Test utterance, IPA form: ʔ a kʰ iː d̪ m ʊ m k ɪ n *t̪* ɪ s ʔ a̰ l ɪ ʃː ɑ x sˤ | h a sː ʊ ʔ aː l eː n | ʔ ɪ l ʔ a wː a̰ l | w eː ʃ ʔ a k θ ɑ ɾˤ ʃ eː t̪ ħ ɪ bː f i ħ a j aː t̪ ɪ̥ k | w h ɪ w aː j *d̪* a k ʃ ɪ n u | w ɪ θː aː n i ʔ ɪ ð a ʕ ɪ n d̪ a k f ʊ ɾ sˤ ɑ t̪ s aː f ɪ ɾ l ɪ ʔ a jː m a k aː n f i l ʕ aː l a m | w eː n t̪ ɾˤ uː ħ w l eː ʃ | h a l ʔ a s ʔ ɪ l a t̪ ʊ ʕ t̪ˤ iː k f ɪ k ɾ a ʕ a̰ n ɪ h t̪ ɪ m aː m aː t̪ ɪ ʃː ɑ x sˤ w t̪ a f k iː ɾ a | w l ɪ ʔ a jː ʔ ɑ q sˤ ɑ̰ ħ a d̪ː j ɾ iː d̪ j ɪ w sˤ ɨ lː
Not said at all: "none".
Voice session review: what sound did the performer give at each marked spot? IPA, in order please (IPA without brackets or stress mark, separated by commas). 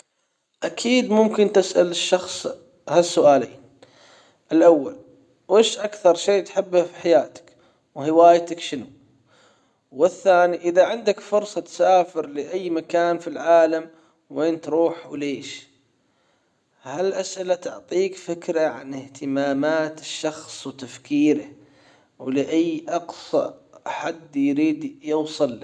t̪, t̪